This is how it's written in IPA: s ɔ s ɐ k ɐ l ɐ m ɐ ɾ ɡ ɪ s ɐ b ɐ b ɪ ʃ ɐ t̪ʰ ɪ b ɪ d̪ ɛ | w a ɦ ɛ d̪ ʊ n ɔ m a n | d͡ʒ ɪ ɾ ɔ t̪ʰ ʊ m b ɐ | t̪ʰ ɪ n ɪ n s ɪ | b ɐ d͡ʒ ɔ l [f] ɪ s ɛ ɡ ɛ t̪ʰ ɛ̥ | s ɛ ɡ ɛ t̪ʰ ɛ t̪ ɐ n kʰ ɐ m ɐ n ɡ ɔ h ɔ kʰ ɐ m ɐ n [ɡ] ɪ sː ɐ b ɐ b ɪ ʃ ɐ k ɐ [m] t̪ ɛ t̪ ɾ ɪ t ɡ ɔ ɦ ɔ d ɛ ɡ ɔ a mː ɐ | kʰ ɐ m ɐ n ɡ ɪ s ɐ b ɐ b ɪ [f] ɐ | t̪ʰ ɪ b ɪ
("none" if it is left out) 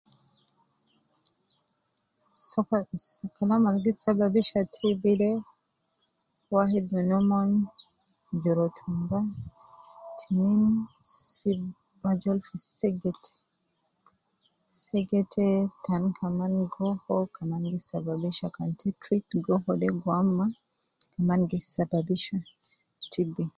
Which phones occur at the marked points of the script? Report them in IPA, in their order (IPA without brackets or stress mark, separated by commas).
f, ɡ, n, ʃ